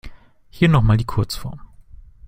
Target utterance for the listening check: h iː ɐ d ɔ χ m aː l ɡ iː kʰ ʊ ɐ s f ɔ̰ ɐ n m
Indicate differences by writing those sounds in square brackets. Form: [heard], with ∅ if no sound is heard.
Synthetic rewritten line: h iː ɐ [n] ɔ χ m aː l [d] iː kʰ ʊ ɐ [t͡s] f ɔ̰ ɐ [∅] m

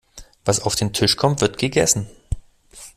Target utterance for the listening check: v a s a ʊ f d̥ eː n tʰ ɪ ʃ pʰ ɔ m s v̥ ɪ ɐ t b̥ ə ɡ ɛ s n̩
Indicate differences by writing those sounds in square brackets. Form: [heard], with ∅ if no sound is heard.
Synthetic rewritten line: v a s a ʊ f d̥ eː n tʰ ɪ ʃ [kʰ] ɔ m [t] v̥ ɪ ɐ t [ɡ̥] ə ɡ ɛ s n̩

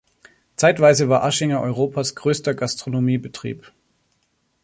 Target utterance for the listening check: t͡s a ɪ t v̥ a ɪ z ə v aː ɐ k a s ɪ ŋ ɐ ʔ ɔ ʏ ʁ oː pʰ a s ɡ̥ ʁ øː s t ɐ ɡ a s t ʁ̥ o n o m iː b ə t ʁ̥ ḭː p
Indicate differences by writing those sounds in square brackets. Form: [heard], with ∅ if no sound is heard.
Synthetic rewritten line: t͡s a ɪ t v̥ a ɪ z ə v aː ɐ [ʔ] a [ʃ] ɪ ŋ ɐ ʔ ɔ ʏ ʁ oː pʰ a s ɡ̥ ʁ øː s t ɐ ɡ a s t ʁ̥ o n o m iː b ə t ʁ̥ ḭː p

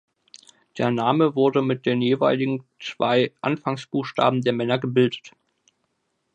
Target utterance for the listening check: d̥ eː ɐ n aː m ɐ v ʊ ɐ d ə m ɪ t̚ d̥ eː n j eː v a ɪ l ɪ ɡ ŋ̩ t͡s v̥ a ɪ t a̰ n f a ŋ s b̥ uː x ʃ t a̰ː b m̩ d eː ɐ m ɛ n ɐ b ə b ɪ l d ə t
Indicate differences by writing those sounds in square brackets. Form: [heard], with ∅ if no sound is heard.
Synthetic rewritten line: d̥ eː ɐ n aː m [ə] v ʊ ɐ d ə m ɪ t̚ d̥ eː n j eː v a ɪ l ɪ ɡ ŋ̩ t͡s v̥ a ɪ [ʔ] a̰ n f a ŋ s b̥ uː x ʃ t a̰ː b m̩ d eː ɐ m ɛ n ɐ [ɡ] ə b ɪ l d ə t

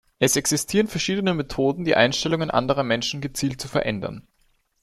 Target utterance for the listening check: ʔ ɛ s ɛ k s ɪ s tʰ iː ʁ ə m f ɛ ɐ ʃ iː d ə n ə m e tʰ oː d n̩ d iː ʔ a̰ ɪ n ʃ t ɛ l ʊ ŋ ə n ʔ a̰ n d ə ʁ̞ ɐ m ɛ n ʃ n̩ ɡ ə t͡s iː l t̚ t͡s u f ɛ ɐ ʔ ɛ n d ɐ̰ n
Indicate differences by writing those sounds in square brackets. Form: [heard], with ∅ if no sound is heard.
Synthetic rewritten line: ʔ ɛ s ɛ k s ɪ s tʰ iː ʁ ə [n] f ɛ ɐ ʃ iː d ə n ə m e tʰ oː d n̩ d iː ʔ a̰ ɪ n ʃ t ɛ l ʊ ŋ ə n ʔ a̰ n d ə ʁ̞ ɐ m ɛ n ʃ n̩ ɡ ə t͡s iː l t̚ t͡s u f ɛ ɐ ʔ ɛ n d ɐ̰ n

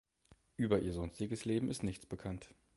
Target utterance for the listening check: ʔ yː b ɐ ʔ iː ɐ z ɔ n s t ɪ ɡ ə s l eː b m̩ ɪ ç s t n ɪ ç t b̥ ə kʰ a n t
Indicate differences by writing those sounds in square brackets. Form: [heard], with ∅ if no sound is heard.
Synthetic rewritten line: ʔ yː b ɐ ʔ iː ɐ z ɔ n s t ɪ ɡ ə s l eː b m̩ ɪ [∅] s t n ɪ ç [t͡s] b̥ ə kʰ a n t

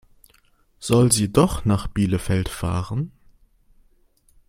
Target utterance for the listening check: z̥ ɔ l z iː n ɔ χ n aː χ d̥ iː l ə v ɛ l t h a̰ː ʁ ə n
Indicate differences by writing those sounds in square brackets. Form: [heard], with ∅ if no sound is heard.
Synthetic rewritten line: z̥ ɔ l z iː [d] ɔ χ n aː χ [b̥] iː l ə [f] ɛ l t [f] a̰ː ʁ ə n

